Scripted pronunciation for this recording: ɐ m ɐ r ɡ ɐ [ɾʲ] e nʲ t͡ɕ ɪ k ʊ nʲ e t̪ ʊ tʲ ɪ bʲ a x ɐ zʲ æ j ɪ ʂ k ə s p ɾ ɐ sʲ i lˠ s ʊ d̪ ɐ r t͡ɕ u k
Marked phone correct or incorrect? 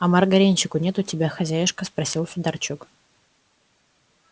correct